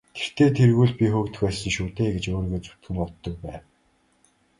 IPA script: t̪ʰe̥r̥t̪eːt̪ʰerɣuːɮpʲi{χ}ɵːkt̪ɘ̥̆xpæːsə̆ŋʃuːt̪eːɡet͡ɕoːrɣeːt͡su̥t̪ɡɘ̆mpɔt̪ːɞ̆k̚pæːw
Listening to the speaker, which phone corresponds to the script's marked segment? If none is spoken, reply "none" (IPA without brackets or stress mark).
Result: x